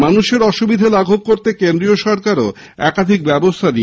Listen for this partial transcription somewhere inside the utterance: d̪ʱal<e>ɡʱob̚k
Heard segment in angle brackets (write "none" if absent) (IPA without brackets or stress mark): a